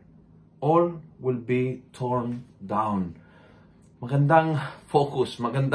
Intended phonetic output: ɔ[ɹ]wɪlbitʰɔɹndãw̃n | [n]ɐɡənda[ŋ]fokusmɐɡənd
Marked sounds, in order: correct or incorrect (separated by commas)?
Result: incorrect, incorrect, correct